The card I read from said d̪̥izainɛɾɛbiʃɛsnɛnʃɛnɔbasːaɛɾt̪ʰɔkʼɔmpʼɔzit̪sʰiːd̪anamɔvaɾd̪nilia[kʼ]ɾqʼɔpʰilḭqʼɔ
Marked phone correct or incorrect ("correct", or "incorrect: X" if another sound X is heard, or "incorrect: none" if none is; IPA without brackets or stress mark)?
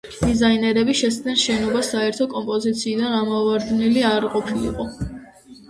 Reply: incorrect: none